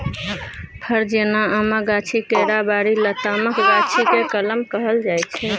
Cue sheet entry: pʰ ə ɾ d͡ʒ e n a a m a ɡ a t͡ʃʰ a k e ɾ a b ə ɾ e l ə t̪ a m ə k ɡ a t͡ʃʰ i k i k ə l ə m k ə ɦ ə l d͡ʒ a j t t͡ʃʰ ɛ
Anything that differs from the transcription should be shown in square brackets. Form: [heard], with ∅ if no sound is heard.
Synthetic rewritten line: pʰ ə ɾ d͡ʒ e n a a m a ɡ a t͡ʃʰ [i] k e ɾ a b [a] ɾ [i] l ə t̪ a m ə k ɡ a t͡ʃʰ i k [e] k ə l ə m k ə ɦ ə l d͡ʒ a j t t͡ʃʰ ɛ